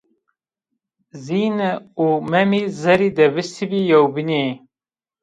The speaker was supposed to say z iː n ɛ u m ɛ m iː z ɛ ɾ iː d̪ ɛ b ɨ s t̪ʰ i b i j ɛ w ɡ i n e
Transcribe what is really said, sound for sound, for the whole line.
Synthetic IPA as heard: z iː n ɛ u m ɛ m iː z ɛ ɾ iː d̪ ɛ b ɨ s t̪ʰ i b i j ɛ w b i n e